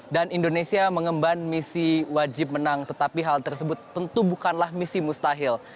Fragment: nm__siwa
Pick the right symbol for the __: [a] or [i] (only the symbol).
i